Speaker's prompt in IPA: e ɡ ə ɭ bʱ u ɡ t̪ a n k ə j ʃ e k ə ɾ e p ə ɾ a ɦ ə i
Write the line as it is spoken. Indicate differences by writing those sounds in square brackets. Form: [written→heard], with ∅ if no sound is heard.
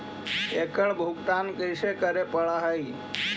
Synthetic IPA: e [ɡ→k] ə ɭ bʱ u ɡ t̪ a n k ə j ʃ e k ə ɾ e p ə [ɾ→ɭ] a ɦ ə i